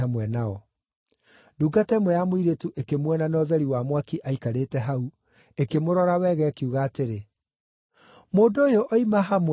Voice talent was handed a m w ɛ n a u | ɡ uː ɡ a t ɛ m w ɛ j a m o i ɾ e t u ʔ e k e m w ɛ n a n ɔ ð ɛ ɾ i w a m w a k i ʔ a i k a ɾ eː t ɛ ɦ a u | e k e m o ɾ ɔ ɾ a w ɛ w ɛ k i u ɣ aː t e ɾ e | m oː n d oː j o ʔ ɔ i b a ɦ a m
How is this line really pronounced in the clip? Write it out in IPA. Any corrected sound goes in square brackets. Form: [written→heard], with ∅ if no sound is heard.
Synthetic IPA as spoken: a m w ɛ n a [u→ɔ] | [ɡ→d] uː ɡ a t ɛ m w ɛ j a m o i ɾ e t u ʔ e k e m w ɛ n a n ɔ ð ɛ ɾ i w a m w a k i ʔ a i k a ɾ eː t ɛ ɦ a u | e k e m o ɾ ɔ ɾ a w ɛ [w→ɣ] ɛ k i u ɣ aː t e ɾ e | m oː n d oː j o ʔ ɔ i [b→m] a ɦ a m